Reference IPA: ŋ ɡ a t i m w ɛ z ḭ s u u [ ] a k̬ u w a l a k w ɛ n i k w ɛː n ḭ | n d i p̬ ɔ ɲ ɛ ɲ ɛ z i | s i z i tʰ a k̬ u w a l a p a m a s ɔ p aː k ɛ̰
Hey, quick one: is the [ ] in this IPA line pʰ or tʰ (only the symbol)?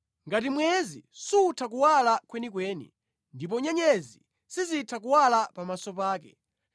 tʰ